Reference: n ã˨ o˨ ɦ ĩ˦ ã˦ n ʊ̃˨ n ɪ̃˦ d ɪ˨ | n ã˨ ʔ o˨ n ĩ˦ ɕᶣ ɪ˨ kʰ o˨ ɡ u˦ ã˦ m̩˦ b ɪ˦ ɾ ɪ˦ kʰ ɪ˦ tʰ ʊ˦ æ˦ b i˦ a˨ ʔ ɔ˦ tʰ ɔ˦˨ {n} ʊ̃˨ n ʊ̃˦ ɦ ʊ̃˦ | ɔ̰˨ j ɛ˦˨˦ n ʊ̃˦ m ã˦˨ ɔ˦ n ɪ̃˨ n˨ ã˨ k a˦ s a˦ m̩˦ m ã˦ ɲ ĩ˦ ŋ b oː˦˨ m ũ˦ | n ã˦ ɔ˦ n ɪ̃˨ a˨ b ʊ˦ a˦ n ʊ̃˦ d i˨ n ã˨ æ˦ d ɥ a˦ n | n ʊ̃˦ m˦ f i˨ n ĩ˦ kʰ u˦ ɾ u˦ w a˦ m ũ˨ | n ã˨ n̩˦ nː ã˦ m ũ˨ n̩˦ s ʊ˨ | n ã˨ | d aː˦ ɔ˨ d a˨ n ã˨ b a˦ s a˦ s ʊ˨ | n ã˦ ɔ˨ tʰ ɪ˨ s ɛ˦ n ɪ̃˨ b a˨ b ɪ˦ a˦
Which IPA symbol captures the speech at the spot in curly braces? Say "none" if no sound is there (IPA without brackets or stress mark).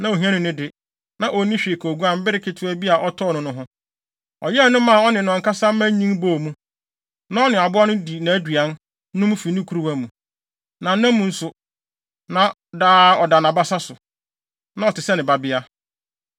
n